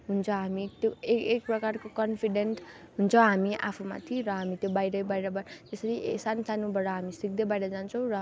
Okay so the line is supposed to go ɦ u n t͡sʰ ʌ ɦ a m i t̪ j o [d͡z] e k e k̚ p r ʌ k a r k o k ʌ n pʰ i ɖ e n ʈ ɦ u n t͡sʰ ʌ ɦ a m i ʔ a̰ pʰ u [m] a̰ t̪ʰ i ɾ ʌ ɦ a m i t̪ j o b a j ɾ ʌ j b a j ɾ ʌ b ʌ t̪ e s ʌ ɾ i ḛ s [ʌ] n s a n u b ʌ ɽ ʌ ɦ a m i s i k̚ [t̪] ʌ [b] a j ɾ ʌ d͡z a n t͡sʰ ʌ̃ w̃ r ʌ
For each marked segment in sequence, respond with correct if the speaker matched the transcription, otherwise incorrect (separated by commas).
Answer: incorrect, correct, incorrect, incorrect, correct